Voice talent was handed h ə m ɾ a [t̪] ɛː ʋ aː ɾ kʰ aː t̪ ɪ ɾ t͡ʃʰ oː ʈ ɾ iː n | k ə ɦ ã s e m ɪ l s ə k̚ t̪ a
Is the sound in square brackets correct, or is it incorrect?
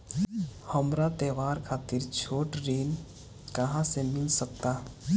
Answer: correct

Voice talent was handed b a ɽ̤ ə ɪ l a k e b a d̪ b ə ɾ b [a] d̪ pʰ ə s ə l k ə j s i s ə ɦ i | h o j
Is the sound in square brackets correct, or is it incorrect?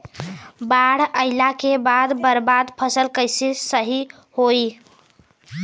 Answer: correct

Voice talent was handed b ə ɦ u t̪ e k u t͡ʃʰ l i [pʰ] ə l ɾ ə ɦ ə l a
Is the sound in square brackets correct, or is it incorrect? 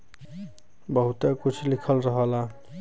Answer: incorrect: kʰ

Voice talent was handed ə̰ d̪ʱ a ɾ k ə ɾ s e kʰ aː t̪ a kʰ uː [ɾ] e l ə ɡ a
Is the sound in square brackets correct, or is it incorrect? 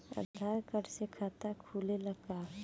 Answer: incorrect: l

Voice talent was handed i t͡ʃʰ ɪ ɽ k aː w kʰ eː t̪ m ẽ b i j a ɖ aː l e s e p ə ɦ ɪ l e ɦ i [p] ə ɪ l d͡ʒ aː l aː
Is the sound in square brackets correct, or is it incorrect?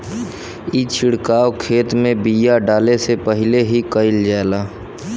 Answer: incorrect: k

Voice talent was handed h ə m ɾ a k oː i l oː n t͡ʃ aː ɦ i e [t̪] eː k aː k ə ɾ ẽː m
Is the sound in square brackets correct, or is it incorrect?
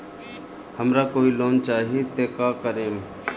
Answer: correct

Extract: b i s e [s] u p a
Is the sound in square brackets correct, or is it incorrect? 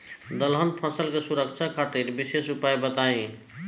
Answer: correct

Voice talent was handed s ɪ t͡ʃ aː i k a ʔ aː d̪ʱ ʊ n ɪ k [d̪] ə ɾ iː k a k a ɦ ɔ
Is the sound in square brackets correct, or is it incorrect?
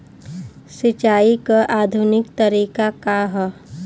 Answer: incorrect: t̪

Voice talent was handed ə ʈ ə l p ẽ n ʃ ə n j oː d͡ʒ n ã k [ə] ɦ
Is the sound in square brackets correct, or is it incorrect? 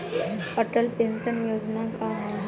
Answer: incorrect: a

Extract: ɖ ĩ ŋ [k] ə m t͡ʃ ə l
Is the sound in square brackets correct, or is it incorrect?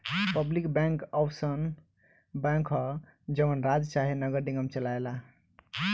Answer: incorrect: ɡ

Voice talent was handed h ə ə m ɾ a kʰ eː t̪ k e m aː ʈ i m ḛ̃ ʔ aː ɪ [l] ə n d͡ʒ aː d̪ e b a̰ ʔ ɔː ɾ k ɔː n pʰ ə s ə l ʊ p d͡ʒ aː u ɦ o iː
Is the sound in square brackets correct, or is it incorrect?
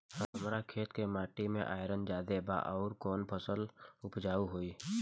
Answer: incorrect: ɾ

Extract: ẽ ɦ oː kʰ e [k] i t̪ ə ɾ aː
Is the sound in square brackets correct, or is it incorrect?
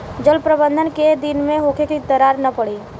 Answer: correct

